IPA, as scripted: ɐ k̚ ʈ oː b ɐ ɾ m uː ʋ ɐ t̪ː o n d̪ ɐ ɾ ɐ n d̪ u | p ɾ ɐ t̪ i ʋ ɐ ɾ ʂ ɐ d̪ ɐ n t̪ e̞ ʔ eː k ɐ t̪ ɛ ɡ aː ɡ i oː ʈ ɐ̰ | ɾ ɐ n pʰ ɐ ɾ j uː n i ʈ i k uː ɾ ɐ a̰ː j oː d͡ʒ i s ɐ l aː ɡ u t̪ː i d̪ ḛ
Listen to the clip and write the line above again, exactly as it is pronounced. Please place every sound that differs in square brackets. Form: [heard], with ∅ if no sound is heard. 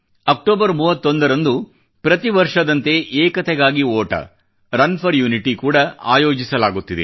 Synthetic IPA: ɐ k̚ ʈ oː b ɐ ɾ m uː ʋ ɐ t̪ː o n d̪ ɐ ɾ ɐ n d̪ u | p ɾ ɐ t̪ i ʋ ɐ ɾ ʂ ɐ d̪ ɐ n t̪ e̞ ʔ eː k ɐ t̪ ɛ ɡ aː ɡ i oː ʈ ɐ̰ | ɾ ɐ n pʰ ɐ ɾ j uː n i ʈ i k uː [ɽ] ɐ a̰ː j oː d͡ʒ i s ɐ l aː ɡ u t̪ː i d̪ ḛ